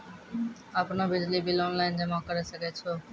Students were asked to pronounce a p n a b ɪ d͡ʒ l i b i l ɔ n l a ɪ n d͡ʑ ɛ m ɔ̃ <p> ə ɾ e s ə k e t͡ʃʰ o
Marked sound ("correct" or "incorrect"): incorrect